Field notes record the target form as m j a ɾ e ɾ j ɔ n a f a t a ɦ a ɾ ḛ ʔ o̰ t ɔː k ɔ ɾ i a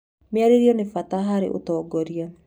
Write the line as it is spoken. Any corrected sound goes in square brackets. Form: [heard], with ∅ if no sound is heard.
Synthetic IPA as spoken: m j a ɾ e ɾ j ɔ n [e] f a t a ɦ a ɾ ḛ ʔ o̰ t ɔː [ɡ] ɔ ɾ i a